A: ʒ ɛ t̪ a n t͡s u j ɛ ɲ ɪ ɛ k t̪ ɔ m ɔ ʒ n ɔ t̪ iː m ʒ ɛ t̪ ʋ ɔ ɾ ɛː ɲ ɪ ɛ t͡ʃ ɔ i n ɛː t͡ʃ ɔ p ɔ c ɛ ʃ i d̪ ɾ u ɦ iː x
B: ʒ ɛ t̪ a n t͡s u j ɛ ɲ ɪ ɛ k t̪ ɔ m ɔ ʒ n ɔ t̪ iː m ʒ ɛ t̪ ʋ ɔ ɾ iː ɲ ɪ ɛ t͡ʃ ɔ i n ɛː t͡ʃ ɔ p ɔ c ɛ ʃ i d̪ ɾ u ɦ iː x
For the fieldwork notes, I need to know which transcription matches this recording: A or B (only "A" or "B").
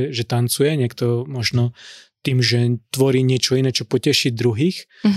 B